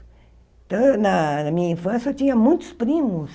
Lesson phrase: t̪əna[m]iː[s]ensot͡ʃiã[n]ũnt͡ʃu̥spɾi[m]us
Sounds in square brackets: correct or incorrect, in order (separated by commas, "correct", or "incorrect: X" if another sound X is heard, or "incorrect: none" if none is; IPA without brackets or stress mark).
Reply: correct, incorrect: f, incorrect: m, correct